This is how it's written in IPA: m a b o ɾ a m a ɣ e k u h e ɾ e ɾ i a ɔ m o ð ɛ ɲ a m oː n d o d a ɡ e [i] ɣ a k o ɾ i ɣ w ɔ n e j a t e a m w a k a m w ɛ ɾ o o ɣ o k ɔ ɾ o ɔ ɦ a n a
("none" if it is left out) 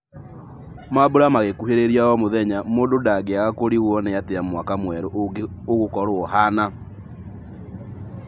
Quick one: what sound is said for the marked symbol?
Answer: a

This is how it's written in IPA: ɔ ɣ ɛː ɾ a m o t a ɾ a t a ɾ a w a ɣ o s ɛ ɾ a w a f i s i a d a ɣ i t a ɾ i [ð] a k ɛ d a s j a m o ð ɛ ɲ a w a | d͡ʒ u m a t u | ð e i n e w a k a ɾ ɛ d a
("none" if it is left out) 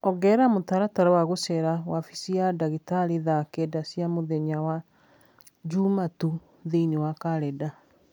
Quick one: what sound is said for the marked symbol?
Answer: ð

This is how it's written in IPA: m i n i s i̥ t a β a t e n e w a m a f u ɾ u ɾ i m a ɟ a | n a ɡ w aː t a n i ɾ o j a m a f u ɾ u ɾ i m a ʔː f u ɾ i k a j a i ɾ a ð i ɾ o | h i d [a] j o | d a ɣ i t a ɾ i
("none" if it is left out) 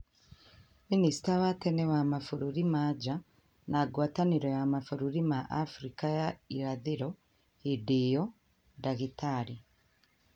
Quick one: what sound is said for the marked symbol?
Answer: i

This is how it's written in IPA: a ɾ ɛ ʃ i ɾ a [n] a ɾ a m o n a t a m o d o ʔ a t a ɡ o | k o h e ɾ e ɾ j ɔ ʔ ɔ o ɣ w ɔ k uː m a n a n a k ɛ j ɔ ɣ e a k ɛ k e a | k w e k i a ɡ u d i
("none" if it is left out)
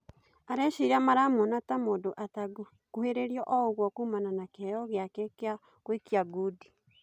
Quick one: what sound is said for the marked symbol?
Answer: m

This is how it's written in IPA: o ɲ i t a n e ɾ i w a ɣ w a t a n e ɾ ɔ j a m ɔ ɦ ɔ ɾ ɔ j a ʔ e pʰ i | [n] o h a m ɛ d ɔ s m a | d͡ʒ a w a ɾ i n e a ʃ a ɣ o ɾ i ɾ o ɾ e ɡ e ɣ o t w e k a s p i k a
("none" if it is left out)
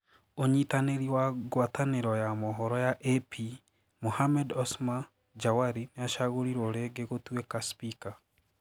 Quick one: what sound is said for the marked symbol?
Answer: m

